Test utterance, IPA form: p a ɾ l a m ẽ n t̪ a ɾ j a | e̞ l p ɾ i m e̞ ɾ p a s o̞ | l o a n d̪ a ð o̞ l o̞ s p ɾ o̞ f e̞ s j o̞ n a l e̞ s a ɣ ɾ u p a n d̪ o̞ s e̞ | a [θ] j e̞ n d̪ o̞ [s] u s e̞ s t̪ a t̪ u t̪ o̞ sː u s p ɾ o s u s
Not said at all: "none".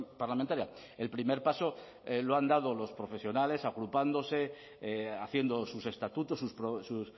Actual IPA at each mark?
θ, s

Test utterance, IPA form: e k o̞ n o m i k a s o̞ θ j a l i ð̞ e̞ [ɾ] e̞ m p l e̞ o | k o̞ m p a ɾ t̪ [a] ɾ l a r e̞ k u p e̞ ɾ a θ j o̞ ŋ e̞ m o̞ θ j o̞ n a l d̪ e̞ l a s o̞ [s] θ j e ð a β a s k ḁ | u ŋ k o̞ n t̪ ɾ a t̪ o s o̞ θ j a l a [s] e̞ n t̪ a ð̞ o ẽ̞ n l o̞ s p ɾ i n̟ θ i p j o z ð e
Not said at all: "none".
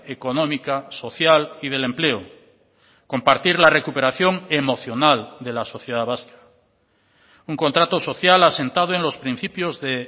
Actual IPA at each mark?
l, i, none, s

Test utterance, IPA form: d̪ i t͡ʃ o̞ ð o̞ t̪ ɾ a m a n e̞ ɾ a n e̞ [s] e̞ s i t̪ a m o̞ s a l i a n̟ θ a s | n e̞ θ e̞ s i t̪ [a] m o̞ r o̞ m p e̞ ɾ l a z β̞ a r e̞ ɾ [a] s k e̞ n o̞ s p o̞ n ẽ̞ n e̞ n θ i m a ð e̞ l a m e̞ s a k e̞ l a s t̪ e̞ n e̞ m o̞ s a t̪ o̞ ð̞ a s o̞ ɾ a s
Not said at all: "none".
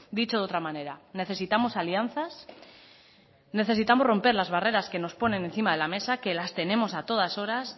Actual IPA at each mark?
θ, a, a

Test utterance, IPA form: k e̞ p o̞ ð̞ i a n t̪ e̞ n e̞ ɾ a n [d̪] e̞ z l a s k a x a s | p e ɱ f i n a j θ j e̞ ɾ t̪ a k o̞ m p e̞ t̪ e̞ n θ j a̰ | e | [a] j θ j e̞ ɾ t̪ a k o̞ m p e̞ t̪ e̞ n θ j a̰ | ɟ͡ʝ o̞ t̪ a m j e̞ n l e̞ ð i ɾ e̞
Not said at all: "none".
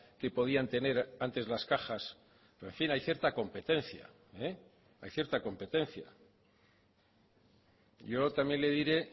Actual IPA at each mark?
t̪, a

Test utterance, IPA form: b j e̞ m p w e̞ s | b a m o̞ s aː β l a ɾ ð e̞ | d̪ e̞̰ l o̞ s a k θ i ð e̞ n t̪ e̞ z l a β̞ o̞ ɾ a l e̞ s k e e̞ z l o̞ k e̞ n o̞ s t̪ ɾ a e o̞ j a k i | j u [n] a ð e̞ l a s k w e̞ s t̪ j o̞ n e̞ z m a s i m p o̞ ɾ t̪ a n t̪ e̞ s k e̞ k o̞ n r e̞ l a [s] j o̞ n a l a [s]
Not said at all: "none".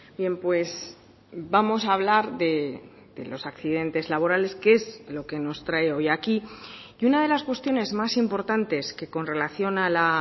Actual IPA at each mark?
n, θ, none

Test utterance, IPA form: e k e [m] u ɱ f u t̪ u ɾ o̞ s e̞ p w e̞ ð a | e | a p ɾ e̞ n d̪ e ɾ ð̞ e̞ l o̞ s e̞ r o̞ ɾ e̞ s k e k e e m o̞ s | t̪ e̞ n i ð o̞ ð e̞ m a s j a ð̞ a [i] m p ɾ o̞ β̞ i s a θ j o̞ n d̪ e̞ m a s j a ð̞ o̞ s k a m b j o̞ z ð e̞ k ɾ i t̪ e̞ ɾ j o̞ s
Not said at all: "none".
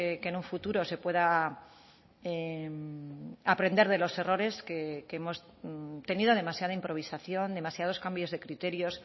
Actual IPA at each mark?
n, i

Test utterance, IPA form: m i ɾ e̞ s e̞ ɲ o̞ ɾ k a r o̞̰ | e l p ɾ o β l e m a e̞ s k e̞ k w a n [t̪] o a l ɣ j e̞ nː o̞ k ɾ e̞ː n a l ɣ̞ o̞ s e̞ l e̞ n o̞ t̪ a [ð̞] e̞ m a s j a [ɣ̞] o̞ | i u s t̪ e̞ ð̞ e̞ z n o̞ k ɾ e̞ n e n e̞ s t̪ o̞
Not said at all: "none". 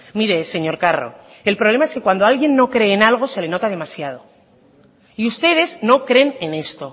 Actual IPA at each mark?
d̪, ð̞, ð̞

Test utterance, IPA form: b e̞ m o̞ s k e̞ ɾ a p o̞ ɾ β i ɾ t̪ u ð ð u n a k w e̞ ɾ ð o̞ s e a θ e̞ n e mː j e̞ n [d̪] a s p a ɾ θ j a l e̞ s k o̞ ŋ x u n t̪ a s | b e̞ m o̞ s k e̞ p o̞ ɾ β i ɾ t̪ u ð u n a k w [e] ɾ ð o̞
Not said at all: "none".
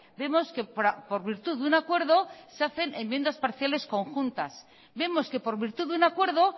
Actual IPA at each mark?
d̪, e

